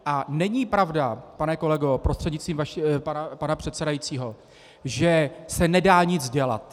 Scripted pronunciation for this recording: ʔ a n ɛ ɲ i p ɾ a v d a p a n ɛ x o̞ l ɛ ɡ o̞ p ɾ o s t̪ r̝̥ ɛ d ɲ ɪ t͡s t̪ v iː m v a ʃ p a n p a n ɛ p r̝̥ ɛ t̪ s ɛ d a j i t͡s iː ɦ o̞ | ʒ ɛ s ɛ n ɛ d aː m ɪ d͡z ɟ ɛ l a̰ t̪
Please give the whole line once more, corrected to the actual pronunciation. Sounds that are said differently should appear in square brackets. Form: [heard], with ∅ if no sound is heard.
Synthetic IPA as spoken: ʔ a n ɛ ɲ i p ɾ a v d a p a n ɛ [k] o̞ l ɛ ɡ o̞ p ɾ o s t̪ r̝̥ ɛ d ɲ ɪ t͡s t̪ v iː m v a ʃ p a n p a n [a] p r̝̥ ɛ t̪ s ɛ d a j i t͡s iː ɦ o̞ | ʒ ɛ s ɛ n ɛ d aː [ɲ] ɪ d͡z ɟ ɛ l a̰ t̪